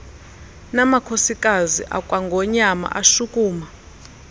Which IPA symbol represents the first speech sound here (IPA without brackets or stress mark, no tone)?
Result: n